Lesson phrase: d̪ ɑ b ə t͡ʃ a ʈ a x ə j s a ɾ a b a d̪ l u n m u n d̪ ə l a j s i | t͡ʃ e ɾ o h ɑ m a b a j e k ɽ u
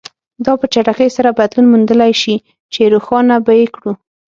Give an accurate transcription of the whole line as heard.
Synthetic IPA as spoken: d̪ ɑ p ə t͡ʃ a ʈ a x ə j s a ɾ a b a d̪ l u n m u n d̪ ə l a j ʃ i | t͡ʃ e ɾ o x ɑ n a b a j e k ɽ u